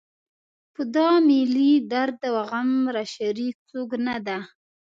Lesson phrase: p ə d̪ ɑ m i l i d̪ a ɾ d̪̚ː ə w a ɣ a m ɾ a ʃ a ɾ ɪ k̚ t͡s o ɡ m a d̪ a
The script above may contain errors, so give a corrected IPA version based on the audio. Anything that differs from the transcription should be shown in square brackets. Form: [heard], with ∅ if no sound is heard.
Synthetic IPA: p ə d̪ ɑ m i l i d̪ a ɾ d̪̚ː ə w a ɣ a m ɾ a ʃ a ɾ [i] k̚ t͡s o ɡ [n] a d̪ a